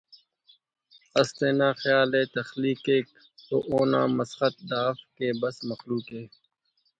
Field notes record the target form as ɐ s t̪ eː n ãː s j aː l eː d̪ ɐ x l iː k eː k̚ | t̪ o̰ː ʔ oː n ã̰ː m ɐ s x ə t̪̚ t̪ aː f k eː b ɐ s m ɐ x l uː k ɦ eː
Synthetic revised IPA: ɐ s t̪ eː n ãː x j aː l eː t̪ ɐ x l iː k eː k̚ | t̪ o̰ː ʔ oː n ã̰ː m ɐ s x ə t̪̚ d̪ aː f k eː b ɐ s m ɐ x l uː k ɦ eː

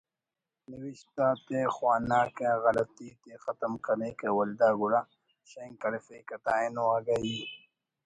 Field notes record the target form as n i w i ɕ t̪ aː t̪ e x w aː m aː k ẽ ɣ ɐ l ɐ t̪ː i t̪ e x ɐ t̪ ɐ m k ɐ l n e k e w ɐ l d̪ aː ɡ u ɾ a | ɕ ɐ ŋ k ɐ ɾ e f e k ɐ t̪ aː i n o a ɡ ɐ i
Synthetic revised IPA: n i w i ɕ t̪ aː t̪ e x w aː n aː k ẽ ɣ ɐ l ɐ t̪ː i t̪ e x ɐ t̪ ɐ m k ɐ ɾ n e k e w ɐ l d̪ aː ɡ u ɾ a | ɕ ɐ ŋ k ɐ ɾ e f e k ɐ t̪ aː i n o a ɡ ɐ i

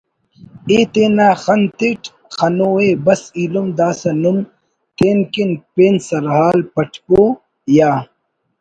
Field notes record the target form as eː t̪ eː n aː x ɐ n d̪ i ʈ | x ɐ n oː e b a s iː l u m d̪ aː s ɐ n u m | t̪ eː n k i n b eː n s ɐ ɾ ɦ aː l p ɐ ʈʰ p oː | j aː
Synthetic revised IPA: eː t̪ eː n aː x ɐ n t̪ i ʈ | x ɐ n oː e b ɐ s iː l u m d̪ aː s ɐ n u m | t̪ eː n k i n p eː n s ɐ ɾ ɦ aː l p ɐ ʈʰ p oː | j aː

